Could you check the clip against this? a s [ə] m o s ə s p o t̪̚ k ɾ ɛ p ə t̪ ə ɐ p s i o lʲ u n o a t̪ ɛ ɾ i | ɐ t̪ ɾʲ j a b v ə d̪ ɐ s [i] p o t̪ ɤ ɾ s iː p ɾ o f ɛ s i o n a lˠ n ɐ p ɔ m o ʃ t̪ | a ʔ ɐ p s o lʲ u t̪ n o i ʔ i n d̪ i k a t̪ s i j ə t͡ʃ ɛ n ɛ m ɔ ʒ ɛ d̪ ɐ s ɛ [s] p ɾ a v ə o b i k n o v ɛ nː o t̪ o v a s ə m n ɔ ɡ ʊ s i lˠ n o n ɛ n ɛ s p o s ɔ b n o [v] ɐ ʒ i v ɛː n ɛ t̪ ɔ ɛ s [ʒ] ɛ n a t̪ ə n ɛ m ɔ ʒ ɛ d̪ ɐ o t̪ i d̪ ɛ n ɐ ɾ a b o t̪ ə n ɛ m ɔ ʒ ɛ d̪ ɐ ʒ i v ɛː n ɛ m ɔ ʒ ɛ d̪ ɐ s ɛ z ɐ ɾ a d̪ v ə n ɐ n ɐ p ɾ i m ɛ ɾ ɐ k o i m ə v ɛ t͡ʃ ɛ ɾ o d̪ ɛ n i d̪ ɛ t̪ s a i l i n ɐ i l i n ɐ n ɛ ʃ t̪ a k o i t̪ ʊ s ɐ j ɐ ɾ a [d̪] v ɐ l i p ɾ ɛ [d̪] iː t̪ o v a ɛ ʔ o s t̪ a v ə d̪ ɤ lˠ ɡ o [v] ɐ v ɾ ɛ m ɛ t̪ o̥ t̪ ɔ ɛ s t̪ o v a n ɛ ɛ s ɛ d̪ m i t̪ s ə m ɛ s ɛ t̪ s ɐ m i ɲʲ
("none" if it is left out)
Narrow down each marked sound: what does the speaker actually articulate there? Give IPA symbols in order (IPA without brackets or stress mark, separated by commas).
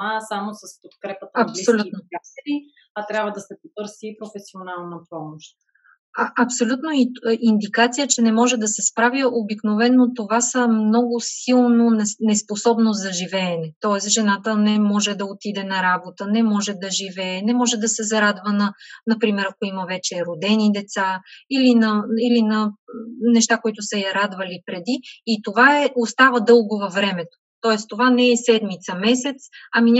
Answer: a, ɛ, s, z, ʒ, d̪, d̪, v